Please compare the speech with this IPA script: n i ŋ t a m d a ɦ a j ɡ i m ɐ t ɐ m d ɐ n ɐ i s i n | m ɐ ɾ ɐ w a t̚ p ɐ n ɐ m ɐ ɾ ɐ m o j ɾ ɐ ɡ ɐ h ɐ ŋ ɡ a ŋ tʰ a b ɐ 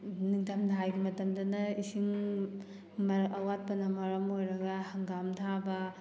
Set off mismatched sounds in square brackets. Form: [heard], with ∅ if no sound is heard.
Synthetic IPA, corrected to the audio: n i ŋ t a m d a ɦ a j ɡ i m ɐ t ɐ m d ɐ n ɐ i s i [ŋ] | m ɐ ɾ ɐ w a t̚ p ɐ n ɐ m ɐ ɾ ɐ m o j ɾ ɐ ɡ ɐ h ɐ ŋ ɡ a [m] tʰ a b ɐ